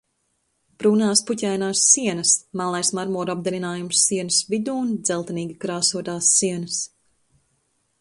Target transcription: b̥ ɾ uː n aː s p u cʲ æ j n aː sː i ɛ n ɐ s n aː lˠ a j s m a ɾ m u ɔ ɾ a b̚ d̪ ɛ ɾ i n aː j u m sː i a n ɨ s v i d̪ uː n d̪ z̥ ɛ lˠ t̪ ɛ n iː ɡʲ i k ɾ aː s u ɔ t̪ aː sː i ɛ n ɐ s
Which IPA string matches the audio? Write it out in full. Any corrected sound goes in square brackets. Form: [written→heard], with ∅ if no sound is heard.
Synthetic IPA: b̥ ɾ uː n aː s p u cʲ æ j n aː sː i ɛ n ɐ s [n→m] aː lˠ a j s m a ɾ m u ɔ ɾ a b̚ d̪ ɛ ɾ i n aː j u m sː i [a→ɛ] n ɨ s v i d̪ uː n d̪ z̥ ɛ lˠ t̪ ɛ n iː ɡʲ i k ɾ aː s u ɔ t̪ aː sː i ɛ n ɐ s